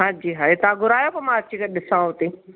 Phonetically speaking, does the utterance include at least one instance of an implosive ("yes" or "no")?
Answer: yes